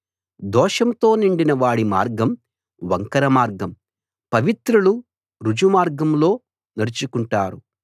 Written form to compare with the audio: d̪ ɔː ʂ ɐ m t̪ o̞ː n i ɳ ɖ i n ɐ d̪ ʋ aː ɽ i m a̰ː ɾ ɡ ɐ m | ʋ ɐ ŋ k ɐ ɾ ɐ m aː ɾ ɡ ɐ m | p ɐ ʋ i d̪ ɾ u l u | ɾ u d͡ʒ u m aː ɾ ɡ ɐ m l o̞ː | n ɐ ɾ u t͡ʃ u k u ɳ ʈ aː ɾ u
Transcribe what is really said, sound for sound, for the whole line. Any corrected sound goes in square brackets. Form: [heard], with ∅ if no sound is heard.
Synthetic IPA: d̪ ɔː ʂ ɐ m t̪ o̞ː n i ɳ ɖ i n ɐ [∅] ʋ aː ɽ i m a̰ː ɾ ɡ ɐ m | ʋ ɐ ŋ k ɐ ɾ ɐ m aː ɾ ɡ ɐ m | p ɐ ʋ i [t̪] ɾ u l u | ɾ u d͡ʒ u m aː ɾ ɡ ɐ m l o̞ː | n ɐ ɾ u t͡ʃ u k u ɳ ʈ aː ɾ u